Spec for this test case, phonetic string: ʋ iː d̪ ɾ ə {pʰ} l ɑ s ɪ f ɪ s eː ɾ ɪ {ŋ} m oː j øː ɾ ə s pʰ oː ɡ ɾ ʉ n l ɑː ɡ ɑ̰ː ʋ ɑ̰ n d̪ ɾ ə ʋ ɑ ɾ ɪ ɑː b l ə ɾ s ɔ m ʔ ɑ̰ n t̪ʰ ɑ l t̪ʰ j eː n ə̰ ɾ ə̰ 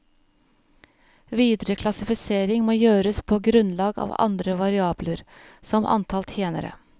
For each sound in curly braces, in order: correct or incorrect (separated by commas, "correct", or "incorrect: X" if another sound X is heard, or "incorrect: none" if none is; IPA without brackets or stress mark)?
incorrect: kʰ, correct